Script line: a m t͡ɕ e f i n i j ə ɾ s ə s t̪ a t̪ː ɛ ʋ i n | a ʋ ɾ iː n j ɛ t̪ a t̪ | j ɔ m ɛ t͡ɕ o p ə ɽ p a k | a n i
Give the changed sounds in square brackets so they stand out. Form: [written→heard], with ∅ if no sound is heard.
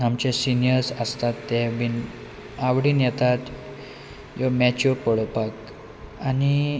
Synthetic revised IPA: a m t͡ɕ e [f→s] i n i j ə ɾ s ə s t̪ a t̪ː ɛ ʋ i n | a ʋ [ɾ→ɽ] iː n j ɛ t̪ a t̪ | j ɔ m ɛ t͡ɕ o p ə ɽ p a k | a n i